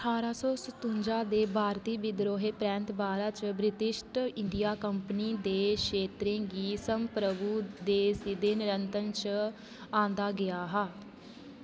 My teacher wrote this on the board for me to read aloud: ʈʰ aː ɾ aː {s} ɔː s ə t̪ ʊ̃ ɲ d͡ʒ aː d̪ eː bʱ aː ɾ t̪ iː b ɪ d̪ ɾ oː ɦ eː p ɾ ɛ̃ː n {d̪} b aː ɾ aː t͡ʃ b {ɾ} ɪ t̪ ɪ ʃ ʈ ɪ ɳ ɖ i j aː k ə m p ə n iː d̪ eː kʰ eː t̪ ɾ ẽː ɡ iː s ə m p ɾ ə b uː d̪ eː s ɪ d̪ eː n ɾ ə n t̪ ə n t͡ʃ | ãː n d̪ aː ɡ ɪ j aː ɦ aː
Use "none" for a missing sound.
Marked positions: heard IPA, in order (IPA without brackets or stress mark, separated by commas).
s, t̪, ɾ